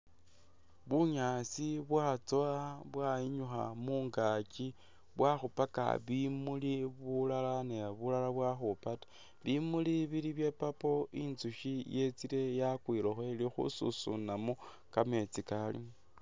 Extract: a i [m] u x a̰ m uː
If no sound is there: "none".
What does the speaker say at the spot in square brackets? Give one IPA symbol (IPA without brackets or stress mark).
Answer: ɲ